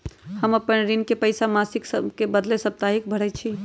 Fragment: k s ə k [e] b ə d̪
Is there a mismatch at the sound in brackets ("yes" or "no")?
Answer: no